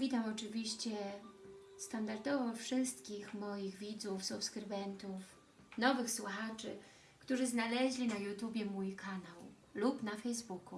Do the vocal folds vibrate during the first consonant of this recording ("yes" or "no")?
yes